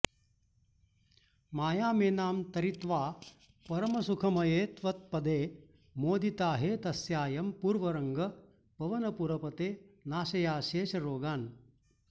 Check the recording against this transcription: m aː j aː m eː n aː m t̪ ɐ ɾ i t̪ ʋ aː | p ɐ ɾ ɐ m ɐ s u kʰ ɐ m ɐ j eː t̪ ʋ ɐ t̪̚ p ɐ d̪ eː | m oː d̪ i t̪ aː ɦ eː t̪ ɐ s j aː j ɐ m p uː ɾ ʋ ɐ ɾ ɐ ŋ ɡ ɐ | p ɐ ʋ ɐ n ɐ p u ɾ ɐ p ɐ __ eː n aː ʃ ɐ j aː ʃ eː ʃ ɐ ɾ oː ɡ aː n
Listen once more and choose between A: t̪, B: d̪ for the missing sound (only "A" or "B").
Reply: A